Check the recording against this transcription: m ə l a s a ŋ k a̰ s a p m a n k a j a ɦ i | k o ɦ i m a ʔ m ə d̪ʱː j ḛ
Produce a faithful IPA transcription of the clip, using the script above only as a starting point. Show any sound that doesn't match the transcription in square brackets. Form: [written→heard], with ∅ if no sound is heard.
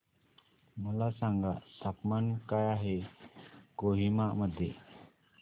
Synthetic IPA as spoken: m ə l a s a ŋ [k→ɡ] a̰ s a p m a n k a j a ɦ [i→e] | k o ɦ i m a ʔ m ə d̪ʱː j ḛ